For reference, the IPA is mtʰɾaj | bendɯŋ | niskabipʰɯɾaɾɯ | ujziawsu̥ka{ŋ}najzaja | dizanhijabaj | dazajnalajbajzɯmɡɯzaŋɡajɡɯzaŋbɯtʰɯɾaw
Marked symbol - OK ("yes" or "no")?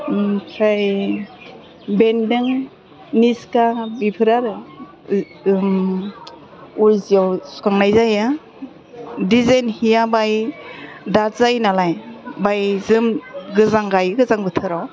yes